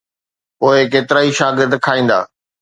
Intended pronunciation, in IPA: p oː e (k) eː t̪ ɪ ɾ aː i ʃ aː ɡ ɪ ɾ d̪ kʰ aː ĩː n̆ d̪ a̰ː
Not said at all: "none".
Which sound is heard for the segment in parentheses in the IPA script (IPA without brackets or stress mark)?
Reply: k